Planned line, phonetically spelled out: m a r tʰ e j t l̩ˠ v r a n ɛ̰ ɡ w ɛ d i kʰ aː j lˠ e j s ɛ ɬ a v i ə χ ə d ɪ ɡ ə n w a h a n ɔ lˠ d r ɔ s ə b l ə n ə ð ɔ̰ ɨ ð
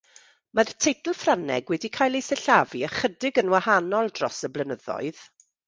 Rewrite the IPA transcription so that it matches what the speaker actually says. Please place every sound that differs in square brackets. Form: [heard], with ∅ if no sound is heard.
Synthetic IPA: m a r tʰ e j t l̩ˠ [f] r a n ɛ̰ ɡ w ɛ d i kʰ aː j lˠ e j s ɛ ɬ a v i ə χ ə d ɪ ɡ ə n w a h a n ɔ lˠ d r ɔ s ə b l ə n ə ð ɔ̰ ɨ ð